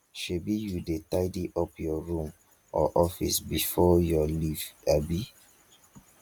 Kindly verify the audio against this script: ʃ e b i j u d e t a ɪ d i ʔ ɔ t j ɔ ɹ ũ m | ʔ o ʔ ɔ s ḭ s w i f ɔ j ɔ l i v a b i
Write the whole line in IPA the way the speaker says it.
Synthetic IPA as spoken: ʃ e b i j u d e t a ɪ d i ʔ ɔ p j ɔ ɹ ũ m | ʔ ɔ ʔ ɔ f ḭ s b i f ɔ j ɔ l i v a b i